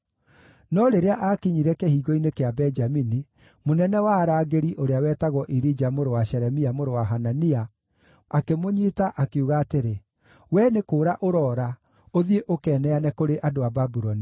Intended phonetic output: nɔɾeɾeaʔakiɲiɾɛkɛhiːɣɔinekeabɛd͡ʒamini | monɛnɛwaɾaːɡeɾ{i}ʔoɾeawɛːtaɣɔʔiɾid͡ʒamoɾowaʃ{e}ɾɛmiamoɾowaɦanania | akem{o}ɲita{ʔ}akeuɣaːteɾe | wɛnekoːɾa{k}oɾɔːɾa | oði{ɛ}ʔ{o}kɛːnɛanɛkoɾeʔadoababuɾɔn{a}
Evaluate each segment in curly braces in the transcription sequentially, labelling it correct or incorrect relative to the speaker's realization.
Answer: correct, incorrect: ɛ, correct, correct, incorrect: ʔ, incorrect: e, correct, incorrect: i

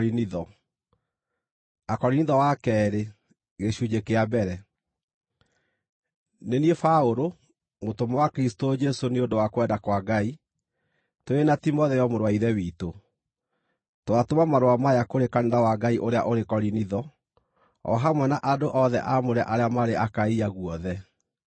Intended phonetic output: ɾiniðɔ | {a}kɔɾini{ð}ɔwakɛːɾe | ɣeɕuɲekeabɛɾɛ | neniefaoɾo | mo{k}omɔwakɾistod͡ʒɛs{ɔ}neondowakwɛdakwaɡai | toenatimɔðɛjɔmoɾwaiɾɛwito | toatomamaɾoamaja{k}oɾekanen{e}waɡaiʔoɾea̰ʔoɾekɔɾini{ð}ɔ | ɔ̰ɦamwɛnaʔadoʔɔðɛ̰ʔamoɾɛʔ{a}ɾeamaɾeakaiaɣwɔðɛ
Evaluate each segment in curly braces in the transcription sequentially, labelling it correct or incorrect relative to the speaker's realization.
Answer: correct, correct, incorrect: t, incorrect: o, correct, incorrect: a, correct, correct

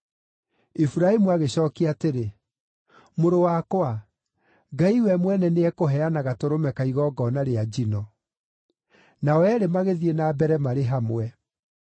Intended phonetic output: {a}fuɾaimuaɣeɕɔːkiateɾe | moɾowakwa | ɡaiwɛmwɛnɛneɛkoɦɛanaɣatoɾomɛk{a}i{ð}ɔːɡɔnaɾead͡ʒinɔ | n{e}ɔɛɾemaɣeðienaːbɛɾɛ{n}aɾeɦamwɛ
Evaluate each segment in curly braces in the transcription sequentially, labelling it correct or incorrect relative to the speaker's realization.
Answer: incorrect: i, correct, incorrect: ɣ, incorrect: a, incorrect: m

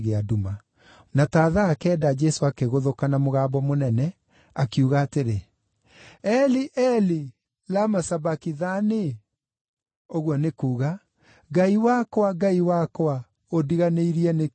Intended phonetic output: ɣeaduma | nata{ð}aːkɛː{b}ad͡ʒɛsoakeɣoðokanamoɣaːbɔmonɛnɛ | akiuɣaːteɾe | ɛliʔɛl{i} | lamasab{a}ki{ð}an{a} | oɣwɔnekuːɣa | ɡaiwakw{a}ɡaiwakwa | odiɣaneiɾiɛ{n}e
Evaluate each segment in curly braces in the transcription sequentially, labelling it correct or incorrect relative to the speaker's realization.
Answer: correct, incorrect: d, correct, correct, correct, incorrect: e, correct, correct

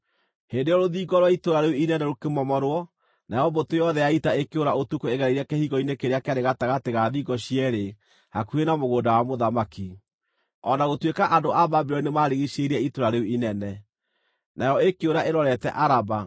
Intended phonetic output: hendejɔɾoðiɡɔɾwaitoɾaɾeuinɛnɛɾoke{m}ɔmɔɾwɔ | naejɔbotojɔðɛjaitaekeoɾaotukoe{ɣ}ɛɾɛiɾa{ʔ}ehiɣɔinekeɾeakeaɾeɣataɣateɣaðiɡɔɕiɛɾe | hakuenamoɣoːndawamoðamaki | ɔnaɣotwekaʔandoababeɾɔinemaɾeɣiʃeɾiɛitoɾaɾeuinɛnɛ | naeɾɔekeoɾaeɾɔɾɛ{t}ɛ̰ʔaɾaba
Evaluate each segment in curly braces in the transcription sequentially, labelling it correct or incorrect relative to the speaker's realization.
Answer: correct, correct, incorrect: k, correct

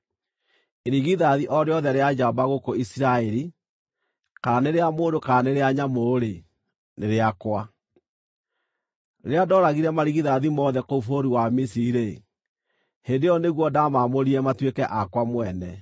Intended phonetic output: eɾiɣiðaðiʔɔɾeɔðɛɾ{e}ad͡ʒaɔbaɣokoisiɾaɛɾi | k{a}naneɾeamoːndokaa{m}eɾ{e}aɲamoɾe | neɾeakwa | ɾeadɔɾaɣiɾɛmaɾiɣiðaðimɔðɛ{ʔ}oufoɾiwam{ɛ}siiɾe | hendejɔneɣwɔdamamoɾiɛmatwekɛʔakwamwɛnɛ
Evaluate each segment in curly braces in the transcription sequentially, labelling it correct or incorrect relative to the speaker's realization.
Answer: correct, correct, incorrect: n, correct, incorrect: k, incorrect: i

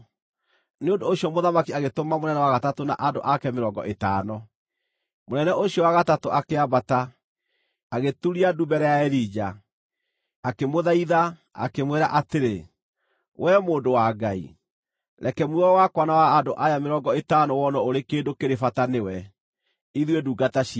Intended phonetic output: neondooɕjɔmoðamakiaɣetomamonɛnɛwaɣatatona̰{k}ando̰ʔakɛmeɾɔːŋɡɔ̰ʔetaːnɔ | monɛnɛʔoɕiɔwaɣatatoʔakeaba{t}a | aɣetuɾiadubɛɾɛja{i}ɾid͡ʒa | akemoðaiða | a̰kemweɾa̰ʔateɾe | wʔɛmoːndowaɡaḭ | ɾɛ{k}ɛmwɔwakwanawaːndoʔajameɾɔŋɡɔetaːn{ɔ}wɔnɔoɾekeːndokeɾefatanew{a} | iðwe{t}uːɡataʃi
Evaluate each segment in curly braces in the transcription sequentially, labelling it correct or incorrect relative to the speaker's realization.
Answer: incorrect: ʔ, correct, incorrect: ɛ, correct, correct, incorrect: ɛ, incorrect: d

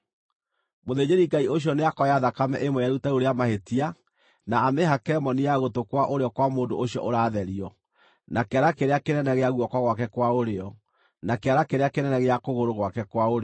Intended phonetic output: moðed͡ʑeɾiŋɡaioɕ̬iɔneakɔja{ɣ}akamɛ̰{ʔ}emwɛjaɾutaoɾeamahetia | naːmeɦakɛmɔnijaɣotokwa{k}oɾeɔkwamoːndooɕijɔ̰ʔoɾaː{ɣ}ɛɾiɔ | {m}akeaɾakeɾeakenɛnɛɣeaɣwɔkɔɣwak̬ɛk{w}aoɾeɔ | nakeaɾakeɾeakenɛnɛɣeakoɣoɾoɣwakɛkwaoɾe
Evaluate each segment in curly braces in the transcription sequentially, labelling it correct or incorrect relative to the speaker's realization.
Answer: incorrect: ð, correct, incorrect: ʔ, incorrect: ð, incorrect: n, correct

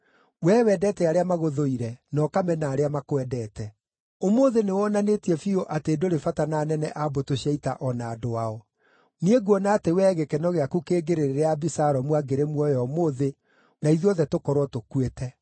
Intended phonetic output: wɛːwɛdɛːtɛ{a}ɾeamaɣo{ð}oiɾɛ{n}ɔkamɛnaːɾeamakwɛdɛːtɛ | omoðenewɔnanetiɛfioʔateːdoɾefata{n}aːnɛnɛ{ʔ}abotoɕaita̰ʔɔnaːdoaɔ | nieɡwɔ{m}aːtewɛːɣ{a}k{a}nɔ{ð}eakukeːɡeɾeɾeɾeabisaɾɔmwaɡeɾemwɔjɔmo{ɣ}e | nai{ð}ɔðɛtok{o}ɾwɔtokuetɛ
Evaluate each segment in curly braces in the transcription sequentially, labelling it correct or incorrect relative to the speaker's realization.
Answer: correct, correct, correct, correct, correct, incorrect: n, incorrect: e, incorrect: ɛ, incorrect: ɣ, incorrect: ð, correct, incorrect: ɔ

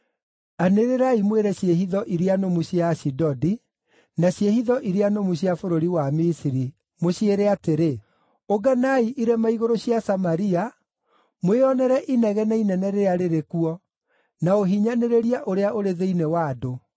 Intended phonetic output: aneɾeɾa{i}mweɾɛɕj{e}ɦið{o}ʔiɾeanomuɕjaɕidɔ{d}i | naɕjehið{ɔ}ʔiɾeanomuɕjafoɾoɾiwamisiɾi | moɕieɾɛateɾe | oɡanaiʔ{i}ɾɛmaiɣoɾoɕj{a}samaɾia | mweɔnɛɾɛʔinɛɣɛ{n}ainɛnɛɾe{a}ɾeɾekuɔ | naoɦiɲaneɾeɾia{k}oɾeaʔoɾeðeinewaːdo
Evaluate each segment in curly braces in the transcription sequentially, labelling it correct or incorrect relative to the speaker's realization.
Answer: correct, correct, incorrect: ɔ, correct, correct, correct, correct, correct, correct, incorrect: ʔ

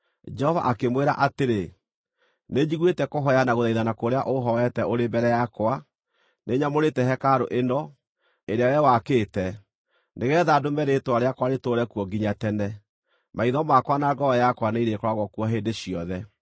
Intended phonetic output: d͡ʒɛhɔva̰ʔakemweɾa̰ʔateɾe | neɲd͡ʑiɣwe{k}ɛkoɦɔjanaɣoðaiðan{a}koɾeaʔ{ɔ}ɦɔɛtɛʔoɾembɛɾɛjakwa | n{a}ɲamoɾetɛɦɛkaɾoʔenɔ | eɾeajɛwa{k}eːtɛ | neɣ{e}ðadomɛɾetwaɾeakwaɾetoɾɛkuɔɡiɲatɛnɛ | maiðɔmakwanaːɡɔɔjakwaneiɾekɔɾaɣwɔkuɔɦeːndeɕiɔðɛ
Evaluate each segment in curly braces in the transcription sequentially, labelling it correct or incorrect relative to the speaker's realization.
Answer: incorrect: t, correct, incorrect: o, incorrect: e, correct, incorrect: ɛ

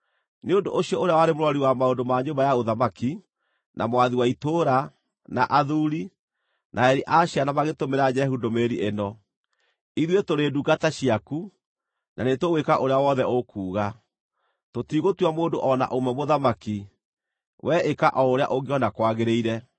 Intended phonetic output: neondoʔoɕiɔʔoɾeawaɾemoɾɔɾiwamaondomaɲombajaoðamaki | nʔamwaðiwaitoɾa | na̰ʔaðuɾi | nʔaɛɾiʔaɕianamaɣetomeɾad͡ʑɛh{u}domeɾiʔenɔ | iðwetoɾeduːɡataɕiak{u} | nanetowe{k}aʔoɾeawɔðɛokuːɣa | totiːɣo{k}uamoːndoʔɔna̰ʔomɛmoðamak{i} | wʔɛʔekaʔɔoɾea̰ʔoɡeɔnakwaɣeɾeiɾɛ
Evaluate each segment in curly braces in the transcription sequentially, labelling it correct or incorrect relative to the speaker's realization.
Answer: correct, correct, correct, incorrect: t, correct

